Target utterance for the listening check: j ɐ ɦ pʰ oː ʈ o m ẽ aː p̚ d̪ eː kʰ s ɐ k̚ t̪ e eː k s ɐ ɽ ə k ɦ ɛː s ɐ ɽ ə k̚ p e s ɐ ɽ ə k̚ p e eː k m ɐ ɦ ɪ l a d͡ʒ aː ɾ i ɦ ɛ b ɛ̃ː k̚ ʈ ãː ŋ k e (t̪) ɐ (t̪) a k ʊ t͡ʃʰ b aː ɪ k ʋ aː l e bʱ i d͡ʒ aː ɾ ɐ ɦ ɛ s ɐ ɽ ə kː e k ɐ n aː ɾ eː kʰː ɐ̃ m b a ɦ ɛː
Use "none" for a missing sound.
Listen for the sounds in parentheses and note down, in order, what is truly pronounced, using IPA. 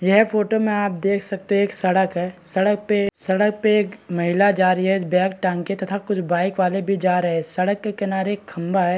t̪, t̪ʰ

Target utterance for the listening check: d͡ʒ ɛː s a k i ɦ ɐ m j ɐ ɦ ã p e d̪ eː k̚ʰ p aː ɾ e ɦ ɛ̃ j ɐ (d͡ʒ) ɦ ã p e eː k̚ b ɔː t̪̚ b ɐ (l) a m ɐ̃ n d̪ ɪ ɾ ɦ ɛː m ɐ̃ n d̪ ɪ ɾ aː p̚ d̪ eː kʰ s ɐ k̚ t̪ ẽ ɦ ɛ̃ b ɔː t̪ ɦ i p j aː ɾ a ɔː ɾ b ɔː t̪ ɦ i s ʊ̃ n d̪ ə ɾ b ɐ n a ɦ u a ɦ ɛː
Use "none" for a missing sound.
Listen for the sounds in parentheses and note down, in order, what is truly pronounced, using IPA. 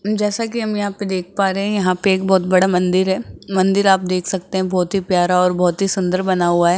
none, ɽ

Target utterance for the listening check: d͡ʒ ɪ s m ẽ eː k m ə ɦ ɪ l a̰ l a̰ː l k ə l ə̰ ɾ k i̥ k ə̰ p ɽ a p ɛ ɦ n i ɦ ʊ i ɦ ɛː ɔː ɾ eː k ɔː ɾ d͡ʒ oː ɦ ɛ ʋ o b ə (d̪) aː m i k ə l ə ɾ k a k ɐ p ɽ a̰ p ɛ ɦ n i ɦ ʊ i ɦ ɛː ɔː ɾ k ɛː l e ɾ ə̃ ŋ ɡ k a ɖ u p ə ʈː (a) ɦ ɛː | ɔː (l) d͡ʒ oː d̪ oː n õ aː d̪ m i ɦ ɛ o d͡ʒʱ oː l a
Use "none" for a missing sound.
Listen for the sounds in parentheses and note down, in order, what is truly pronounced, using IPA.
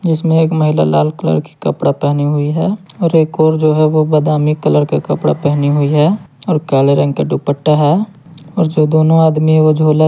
d̪, a, ɾ

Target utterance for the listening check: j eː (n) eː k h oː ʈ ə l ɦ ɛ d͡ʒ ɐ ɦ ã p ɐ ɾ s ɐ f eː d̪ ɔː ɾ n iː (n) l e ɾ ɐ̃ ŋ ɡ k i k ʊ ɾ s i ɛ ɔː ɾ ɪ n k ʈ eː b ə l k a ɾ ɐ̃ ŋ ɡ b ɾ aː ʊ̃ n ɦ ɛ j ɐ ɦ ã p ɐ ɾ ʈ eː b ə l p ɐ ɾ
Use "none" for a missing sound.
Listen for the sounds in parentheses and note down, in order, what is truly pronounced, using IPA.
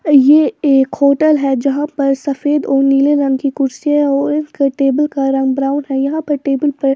none, none

